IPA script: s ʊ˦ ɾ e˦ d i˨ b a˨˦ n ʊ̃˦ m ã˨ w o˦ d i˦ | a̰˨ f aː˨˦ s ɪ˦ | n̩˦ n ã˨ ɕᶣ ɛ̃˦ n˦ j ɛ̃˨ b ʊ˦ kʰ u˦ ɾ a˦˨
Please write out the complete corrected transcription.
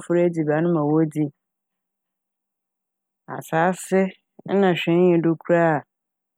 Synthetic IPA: f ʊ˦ ɾ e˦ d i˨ b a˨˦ n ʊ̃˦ m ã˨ w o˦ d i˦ | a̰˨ s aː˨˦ s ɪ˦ | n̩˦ n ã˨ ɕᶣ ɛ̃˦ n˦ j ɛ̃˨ d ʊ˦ kʰ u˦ ɾ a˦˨